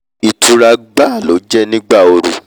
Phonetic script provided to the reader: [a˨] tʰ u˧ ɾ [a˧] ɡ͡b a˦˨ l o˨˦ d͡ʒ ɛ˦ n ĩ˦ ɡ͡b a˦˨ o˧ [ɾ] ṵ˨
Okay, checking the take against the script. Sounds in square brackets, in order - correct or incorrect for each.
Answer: incorrect, correct, correct

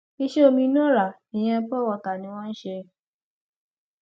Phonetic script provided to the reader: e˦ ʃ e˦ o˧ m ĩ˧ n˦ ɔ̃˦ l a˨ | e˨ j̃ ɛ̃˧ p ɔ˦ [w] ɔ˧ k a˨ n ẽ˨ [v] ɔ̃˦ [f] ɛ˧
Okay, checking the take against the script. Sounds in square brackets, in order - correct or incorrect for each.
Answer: correct, incorrect, incorrect

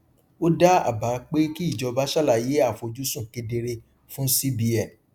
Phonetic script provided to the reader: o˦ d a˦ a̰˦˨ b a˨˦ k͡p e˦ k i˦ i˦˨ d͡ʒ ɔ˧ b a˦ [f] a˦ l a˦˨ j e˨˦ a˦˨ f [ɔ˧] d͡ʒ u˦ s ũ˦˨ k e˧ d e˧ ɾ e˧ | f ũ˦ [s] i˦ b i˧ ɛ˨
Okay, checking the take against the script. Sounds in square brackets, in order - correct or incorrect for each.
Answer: incorrect, incorrect, correct

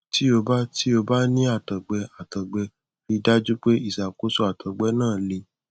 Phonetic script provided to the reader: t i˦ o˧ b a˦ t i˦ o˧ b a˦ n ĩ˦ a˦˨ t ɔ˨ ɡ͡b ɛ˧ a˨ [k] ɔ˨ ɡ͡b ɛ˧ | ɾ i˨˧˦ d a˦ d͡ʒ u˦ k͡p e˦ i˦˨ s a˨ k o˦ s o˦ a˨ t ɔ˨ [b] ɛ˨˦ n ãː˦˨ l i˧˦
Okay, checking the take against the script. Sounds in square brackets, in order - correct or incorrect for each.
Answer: incorrect, incorrect

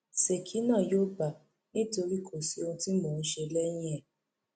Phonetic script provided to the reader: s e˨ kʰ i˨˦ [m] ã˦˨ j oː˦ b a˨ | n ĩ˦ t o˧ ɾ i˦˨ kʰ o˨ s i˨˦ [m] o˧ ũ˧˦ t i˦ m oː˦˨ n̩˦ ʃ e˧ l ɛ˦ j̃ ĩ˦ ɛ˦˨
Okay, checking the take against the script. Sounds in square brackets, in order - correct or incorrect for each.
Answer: incorrect, incorrect

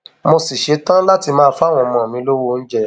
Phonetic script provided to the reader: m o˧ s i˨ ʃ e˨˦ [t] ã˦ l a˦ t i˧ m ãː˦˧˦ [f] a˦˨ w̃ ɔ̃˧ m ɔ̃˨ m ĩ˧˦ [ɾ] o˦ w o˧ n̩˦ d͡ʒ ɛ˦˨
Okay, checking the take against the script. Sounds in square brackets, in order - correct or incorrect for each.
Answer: correct, correct, incorrect

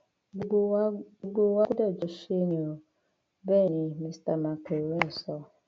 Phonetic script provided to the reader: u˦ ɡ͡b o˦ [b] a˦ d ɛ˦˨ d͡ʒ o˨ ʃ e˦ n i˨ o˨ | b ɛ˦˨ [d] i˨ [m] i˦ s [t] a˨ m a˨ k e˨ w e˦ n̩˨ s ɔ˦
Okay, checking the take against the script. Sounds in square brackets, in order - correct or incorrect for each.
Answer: incorrect, incorrect, correct, correct

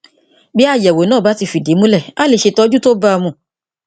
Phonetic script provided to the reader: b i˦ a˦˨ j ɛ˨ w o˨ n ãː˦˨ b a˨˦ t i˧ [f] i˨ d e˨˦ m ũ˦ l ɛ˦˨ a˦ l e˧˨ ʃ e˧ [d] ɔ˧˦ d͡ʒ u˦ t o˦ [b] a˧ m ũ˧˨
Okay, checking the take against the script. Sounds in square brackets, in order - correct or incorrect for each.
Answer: correct, incorrect, correct

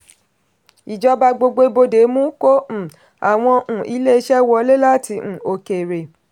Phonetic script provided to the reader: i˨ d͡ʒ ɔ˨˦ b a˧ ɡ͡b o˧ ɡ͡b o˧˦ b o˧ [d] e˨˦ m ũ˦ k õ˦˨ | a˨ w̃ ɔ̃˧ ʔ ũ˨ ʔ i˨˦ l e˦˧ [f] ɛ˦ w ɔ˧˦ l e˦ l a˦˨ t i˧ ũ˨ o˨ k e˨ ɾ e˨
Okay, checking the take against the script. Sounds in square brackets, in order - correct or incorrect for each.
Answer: correct, incorrect

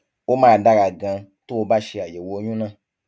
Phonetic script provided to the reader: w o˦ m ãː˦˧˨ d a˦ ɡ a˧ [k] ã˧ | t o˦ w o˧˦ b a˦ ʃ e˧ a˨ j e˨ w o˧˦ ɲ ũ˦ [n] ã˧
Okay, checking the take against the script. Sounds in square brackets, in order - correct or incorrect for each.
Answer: incorrect, correct

